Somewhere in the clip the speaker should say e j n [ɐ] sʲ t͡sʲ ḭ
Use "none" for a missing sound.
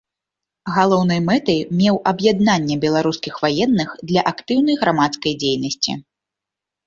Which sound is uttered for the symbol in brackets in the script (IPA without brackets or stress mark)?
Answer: ɐ